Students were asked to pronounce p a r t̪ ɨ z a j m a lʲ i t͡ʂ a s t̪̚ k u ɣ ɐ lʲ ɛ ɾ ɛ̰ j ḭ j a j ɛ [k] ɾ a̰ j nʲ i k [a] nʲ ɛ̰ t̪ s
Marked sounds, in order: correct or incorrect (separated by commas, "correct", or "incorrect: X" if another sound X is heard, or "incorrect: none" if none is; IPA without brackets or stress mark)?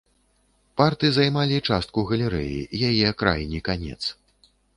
correct, correct